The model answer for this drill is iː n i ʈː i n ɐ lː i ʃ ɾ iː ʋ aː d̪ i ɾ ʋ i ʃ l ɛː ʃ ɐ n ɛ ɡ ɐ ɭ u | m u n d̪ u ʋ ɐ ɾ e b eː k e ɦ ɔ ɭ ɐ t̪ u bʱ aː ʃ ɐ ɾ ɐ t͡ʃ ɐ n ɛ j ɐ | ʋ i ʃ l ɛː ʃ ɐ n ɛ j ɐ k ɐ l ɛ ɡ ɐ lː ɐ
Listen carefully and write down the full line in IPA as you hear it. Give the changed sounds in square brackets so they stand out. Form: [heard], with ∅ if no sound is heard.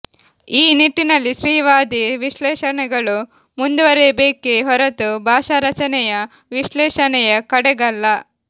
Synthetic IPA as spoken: iː n i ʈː i n ɐ lː i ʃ ɾ iː ʋ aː d̪ i [∅] ʋ i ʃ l ɛː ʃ ɐ n ɛ ɡ ɐ ɭ u | m u n d̪ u ʋ ɐ ɾ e b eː k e ɦ ɔ [ɾ] ɐ t̪ u bʱ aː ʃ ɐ ɾ ɐ t͡ʃ ɐ n ɛ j ɐ | ʋ i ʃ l ɛː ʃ ɐ n ɛ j ɐ k ɐ [ɽ] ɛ ɡ ɐ lː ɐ